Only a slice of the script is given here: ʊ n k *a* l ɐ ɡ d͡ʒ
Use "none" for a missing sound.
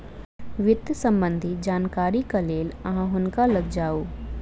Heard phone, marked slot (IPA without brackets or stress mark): a